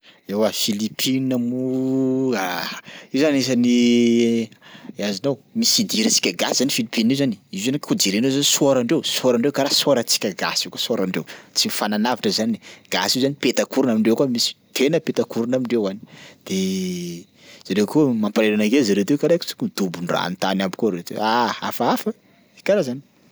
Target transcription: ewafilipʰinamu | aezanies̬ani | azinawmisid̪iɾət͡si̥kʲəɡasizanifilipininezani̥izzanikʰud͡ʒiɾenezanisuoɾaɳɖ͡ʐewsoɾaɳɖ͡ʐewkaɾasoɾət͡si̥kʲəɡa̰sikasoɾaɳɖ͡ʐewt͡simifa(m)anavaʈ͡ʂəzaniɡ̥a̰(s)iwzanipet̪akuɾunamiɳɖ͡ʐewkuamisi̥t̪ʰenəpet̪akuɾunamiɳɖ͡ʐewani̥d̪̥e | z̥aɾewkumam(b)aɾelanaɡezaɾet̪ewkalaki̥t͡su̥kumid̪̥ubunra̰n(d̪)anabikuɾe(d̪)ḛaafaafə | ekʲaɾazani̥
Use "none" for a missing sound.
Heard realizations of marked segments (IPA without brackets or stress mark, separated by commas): n, s, p, t̪, t̪